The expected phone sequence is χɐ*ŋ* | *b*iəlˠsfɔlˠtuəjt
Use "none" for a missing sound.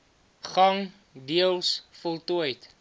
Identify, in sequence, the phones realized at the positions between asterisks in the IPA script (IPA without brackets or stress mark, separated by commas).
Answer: ŋ, d